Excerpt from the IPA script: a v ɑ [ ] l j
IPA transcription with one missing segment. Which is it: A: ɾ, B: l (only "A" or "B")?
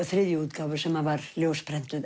A